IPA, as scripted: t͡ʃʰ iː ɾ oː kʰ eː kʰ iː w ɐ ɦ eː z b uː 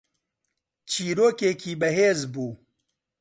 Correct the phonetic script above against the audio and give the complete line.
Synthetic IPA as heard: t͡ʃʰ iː ɾ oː k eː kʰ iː b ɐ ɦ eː z b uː